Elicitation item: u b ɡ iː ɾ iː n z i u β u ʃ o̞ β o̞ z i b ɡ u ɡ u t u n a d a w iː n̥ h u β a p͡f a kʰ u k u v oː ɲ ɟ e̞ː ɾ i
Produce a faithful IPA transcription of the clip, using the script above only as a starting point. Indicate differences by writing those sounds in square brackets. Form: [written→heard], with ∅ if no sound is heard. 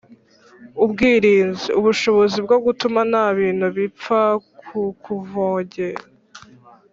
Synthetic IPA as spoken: u b ɡ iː ɾ iː n z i u β u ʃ o̞ β o̞ z i b ɡ [u→o] ɡ u t u [n→m] a [d→n] a [w→β] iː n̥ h u β [a→i] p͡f a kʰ u k u v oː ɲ ɟ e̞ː ɾ [i→a]